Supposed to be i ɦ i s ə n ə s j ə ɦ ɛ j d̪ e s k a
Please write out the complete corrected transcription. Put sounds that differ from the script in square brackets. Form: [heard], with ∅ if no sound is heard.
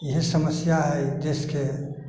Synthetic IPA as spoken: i ɦ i s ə [m] ə s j [a] ɦ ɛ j d̪ e s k [e]